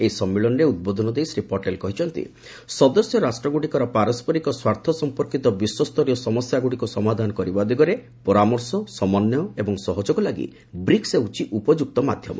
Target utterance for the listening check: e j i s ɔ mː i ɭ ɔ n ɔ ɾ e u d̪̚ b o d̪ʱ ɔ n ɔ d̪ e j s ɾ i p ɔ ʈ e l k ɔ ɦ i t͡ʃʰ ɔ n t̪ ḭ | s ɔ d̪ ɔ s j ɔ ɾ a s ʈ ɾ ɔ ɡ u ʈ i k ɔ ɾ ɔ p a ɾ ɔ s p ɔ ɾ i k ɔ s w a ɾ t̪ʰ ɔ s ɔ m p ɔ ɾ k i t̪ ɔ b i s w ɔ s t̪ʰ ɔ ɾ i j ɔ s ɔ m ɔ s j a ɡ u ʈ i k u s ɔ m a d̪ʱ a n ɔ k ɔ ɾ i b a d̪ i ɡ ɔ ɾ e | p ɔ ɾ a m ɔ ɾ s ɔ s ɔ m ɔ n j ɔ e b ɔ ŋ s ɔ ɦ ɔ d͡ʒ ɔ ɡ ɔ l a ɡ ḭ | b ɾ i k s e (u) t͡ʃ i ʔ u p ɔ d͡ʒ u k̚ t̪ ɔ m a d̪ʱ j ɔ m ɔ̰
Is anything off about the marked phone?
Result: no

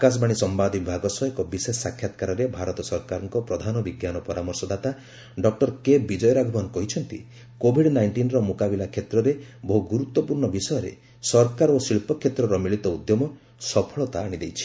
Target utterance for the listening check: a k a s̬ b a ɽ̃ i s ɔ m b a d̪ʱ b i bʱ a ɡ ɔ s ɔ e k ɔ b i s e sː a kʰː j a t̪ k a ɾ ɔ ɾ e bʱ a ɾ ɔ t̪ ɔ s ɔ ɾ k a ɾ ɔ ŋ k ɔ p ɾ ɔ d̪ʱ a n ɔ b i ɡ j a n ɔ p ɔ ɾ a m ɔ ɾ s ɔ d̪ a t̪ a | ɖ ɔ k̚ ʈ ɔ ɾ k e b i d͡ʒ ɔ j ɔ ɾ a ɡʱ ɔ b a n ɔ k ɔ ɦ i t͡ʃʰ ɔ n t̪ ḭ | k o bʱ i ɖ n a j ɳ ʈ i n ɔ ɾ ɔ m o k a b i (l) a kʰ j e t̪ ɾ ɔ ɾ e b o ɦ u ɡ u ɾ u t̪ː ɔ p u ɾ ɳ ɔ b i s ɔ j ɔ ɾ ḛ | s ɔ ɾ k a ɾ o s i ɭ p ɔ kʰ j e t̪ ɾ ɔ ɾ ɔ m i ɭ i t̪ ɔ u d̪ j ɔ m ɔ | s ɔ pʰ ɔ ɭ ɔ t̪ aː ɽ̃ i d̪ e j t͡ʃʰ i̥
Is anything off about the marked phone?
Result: no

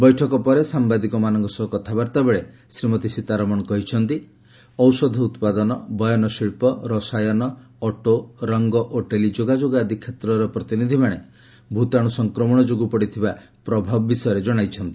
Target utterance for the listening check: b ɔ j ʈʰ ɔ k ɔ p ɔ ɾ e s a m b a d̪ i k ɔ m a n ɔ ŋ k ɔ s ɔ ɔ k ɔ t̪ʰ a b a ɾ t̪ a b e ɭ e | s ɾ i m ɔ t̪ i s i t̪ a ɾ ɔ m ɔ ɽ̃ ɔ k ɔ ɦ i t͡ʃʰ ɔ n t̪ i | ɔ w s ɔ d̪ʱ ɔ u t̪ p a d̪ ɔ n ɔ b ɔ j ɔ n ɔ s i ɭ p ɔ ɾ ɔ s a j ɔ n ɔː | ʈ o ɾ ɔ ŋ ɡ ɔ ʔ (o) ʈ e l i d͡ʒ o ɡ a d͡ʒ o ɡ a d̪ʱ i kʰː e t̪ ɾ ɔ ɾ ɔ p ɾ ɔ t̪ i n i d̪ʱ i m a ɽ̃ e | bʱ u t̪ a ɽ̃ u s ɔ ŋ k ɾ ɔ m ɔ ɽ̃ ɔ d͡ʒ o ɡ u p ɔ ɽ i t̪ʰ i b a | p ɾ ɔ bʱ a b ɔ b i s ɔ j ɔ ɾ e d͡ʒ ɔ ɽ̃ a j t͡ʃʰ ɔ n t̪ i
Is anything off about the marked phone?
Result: no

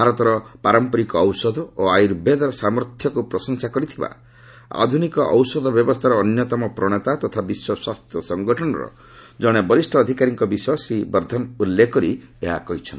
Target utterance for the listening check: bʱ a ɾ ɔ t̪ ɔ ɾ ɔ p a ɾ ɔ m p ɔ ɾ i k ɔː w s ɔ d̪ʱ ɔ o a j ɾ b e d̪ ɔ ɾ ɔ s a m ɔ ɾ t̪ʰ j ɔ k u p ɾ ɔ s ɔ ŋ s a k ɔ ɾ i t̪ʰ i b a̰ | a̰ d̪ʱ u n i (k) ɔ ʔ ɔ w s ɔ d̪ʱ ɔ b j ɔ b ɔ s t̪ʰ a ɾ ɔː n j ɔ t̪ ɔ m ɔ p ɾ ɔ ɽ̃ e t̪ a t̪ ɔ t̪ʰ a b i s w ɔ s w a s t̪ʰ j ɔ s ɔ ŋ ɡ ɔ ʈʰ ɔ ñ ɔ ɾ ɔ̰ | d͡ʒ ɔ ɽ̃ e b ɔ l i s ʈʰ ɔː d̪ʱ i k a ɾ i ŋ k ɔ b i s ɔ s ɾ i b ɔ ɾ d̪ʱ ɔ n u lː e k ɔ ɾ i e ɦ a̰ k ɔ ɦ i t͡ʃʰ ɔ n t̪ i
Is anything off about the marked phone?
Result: no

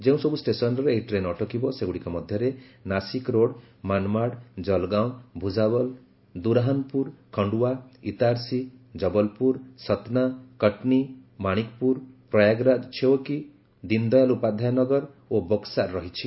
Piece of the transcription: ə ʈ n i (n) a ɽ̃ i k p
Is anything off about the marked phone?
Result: yes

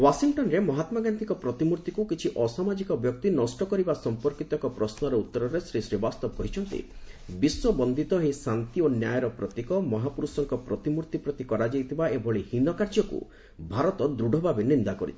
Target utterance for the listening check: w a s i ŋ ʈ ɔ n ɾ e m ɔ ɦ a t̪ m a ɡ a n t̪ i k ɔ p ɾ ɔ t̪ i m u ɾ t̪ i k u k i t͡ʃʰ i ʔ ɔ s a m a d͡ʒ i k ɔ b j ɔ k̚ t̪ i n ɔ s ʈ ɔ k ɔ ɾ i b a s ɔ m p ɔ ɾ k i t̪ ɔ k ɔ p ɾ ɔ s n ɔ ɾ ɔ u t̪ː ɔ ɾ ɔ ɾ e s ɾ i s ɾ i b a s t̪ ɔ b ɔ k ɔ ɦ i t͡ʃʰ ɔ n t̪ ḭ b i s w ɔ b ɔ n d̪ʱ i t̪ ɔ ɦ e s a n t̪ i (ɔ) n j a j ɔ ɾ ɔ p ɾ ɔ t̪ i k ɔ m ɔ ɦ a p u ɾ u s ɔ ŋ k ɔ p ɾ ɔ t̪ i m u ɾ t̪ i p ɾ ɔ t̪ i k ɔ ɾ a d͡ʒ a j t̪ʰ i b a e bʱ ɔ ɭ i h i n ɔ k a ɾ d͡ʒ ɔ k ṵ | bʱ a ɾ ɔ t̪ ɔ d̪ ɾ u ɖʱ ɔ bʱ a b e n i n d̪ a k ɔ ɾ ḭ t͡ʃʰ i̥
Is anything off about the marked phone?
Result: yes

